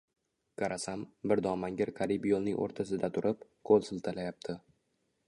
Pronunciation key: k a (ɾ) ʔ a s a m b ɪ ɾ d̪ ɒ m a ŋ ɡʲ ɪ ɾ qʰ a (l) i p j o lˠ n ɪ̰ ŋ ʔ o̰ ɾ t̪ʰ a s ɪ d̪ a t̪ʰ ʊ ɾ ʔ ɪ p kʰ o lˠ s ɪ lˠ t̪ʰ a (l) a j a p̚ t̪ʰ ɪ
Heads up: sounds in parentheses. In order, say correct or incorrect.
correct, incorrect: ɾ, correct

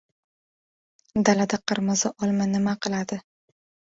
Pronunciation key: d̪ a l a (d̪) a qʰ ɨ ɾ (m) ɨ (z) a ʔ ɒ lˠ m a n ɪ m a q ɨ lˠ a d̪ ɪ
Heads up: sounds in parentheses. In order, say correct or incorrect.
correct, correct, correct

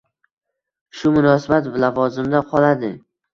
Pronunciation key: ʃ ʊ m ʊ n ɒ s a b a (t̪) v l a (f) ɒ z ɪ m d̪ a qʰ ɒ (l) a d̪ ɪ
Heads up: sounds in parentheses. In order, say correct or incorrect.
correct, incorrect: v, correct

